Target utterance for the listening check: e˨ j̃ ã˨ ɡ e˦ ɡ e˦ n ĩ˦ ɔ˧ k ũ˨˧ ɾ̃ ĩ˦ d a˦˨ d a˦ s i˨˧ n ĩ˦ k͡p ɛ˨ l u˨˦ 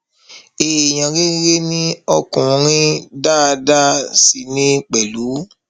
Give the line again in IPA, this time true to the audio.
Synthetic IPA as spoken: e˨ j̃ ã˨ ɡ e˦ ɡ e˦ n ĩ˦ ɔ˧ k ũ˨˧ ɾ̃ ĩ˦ d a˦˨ d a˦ s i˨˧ n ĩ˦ k͡p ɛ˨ l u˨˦

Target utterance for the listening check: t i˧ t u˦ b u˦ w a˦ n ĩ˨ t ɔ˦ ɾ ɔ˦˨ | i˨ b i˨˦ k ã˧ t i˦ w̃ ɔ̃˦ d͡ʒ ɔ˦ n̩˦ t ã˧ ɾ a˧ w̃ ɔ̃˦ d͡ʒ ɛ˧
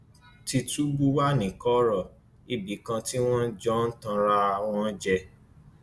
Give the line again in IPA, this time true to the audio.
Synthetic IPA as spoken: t i˧ t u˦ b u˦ w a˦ n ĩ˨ k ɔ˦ ɾ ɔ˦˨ | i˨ b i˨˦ k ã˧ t i˦ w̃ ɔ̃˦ d͡ʒ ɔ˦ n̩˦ t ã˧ ɾ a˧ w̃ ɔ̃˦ d͡ʒ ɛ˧

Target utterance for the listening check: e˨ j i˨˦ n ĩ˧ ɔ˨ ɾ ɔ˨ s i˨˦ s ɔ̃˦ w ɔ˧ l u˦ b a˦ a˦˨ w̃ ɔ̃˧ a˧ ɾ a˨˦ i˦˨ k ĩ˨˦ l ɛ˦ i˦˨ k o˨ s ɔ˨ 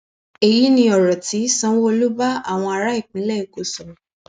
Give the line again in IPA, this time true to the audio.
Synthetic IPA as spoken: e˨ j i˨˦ n ĩ˧ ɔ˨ ɾ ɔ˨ t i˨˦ s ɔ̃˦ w o˧ l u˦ b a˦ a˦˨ w̃ ɔ̃˧ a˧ ɾ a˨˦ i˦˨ k͡p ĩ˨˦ l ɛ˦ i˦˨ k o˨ s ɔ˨

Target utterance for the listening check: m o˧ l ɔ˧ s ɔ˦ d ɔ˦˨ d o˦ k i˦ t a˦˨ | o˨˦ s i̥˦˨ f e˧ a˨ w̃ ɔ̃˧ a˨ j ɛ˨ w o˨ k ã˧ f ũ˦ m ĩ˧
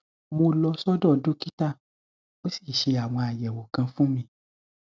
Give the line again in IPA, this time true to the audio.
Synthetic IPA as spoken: m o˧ l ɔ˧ s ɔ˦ d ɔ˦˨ d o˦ k i˦ t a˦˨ | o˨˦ s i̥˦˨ ʃ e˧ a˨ w̃ ɔ̃˧ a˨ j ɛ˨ w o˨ k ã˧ f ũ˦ m ĩ˧

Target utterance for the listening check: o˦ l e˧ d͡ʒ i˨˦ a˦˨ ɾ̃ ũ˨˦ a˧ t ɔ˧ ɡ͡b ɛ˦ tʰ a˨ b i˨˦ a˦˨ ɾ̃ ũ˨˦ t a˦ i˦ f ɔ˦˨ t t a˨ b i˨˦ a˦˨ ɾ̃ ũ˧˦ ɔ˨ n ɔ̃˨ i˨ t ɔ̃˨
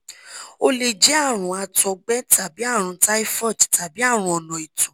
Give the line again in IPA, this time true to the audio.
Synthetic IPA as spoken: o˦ l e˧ d͡ʒ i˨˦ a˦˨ ɾ̃ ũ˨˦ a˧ t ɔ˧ ɡ͡b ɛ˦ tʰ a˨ b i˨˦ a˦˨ ɾ̃ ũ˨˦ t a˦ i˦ f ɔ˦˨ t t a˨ b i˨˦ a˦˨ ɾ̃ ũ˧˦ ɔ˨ n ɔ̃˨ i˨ t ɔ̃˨

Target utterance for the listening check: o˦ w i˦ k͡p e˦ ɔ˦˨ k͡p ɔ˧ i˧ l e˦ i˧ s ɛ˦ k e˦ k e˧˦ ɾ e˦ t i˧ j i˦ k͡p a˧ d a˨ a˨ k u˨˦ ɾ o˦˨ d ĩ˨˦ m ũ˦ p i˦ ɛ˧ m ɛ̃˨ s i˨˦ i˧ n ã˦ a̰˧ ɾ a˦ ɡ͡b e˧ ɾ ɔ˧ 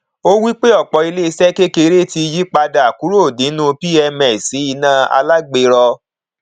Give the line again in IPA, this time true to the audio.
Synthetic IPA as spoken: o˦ w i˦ k͡p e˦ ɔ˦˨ k͡p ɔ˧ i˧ l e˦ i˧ s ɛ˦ k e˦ k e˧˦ ɾ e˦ t i˧ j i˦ k͡p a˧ d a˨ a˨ k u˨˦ ɾ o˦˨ d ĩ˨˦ n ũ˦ p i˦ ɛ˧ m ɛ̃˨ s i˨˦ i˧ n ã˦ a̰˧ l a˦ ɡ͡b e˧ ɾ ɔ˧

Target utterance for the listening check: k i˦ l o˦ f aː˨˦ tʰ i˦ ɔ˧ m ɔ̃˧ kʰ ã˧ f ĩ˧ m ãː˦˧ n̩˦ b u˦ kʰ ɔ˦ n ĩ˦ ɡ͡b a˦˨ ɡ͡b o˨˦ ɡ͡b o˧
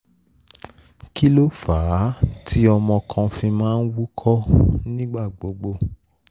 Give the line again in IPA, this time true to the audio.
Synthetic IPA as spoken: k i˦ l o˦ f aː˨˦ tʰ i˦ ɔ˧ m ɔ̃˧ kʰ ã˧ f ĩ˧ m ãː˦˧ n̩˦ w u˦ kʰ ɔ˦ n ĩ˦ ɡ͡b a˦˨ ɡ͡b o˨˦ ɡ͡b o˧

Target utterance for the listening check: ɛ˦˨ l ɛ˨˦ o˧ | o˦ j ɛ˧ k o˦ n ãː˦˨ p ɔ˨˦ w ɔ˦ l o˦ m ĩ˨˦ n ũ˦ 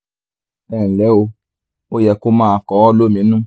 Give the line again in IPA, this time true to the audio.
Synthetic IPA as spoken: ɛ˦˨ l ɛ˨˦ o˧ | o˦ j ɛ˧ k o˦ m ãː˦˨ k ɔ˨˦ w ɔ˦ l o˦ m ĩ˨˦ n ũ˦

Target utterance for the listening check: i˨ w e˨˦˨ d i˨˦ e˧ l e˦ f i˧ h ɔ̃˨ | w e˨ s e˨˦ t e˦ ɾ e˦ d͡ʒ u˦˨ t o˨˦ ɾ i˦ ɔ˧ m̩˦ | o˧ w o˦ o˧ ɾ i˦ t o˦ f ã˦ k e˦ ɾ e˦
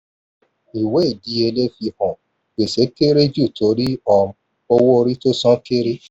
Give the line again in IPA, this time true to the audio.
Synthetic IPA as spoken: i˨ w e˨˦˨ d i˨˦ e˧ l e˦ f i˧ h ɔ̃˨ | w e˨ s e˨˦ k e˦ ɾ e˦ d͡ʒ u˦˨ t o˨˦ ɾ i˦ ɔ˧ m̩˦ | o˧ w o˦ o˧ ɾ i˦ t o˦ s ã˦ k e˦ ɾ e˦

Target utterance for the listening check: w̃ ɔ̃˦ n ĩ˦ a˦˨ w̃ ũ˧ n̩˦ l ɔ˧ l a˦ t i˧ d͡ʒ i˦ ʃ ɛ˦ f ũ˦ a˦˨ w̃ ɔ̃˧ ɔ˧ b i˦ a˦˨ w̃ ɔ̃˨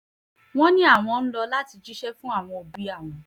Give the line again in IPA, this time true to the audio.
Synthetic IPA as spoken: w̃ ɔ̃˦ n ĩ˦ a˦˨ w̃ ɔ̃˧ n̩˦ l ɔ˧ l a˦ t i˧ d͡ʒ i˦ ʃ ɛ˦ f ũ˦ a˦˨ w̃ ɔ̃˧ o˧ b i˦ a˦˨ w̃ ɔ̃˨

